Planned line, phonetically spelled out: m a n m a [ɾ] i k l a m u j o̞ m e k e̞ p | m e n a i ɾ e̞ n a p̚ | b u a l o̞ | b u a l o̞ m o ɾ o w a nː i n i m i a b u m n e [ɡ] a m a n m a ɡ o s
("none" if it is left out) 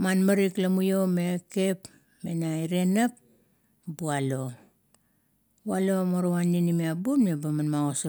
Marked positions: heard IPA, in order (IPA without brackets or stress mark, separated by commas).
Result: ɾ, b